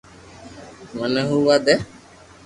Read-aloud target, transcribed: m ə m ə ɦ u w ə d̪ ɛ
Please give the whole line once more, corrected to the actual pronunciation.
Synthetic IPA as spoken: m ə n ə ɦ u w a d̪ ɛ